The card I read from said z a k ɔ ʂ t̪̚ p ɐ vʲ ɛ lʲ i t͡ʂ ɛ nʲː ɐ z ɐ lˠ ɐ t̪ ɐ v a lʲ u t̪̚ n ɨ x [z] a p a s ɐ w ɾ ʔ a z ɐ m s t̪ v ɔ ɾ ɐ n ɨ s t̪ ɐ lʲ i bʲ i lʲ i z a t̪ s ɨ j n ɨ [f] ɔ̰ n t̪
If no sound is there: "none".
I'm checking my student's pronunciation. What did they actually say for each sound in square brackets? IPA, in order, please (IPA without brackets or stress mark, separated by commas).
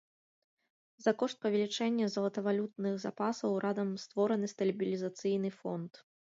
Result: z, f